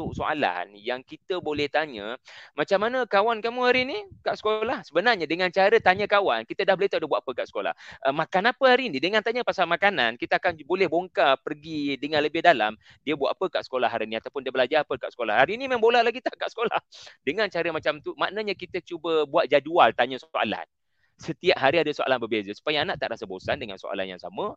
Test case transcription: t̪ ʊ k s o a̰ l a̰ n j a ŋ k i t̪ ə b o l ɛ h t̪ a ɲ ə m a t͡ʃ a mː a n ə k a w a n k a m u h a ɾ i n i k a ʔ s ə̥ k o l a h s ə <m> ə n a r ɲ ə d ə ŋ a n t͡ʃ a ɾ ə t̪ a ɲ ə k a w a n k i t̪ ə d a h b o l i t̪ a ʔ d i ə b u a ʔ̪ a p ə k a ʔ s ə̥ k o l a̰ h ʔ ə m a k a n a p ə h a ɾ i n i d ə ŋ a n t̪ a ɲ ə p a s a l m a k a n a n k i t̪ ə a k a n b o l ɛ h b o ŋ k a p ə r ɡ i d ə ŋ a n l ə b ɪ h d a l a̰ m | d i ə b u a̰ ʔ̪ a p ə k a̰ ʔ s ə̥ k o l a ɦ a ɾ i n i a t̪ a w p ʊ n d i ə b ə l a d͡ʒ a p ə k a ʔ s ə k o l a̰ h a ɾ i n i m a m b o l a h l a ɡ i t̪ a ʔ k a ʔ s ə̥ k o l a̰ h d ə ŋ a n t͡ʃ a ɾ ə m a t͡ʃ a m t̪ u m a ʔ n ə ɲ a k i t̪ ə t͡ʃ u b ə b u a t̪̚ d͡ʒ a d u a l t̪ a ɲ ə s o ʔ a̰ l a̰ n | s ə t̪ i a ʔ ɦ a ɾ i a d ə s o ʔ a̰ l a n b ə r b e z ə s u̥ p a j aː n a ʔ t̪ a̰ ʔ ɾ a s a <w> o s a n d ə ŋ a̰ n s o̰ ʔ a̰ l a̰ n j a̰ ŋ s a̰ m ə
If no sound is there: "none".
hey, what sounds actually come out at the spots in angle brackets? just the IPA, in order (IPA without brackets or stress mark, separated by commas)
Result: b, b